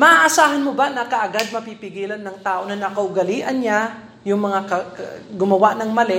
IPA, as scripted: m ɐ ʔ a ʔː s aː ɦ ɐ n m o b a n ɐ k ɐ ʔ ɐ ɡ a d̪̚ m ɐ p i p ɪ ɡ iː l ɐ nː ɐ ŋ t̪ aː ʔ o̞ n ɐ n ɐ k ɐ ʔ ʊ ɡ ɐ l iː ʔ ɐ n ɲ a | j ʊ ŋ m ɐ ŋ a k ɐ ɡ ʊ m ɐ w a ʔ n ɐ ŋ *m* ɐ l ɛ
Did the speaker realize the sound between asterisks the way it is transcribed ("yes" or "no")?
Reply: yes